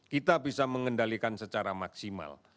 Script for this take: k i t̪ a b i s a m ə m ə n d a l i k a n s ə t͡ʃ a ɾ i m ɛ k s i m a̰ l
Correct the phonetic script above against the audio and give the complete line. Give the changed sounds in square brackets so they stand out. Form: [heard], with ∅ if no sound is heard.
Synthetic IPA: k i t̪ a b i s a m ə [ŋ] ə n d a l i k a n s ə t͡ʃ a ɾ [a] m [a] k s i m a̰ l